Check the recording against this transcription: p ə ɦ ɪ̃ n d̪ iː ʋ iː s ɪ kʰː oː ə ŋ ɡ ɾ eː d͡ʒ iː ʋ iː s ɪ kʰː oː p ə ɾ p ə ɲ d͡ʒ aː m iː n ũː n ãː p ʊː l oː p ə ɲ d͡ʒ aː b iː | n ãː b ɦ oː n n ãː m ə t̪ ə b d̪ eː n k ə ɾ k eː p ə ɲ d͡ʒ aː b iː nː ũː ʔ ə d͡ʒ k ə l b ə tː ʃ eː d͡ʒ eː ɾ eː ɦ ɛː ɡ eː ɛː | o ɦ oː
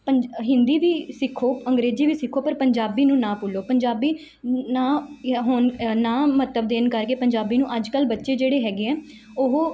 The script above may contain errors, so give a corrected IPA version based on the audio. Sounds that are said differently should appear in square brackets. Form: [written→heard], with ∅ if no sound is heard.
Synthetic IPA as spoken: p ə ɦ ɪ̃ n d̪ iː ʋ iː s ɪ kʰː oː ə ŋ ɡ ɾ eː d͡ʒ iː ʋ iː s ɪ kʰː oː p ə ɾ p ə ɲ d͡ʒ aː [m→b] iː n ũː n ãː p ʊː l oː p ə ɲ d͡ʒ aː b iː | n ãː [b→∅] ɦ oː n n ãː m ə t̪ ə b d̪ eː n k ə ɾ k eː p ə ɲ d͡ʒ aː b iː [nː→n] ũː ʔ ə d͡ʒ k ə l b ə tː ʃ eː d͡ʒ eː [ɾ→ɽ] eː ɦ ɛː ɡ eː ɛː | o ɦ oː